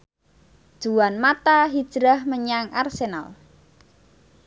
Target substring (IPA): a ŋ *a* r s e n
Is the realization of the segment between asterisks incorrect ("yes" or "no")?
no